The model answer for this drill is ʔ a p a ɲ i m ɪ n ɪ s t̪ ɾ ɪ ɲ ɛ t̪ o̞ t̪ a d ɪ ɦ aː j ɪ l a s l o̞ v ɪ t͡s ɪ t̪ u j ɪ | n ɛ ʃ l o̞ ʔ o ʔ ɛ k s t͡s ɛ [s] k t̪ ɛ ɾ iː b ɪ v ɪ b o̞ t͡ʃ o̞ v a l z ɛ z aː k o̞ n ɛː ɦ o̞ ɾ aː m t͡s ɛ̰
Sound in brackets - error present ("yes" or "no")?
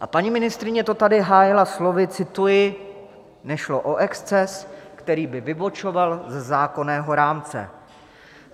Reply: no